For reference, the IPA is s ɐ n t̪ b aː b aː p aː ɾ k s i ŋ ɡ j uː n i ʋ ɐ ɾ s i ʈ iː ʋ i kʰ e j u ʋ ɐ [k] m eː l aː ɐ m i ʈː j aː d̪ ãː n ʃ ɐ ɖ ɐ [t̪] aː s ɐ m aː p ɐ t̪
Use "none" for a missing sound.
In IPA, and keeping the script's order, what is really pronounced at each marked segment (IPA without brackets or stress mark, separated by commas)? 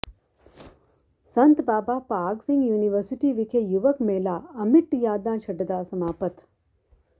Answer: k, d̪